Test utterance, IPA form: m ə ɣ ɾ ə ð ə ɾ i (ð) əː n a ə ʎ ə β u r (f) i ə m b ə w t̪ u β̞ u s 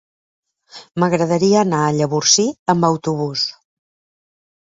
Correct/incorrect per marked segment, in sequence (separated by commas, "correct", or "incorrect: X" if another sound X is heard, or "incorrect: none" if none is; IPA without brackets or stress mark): incorrect: none, incorrect: s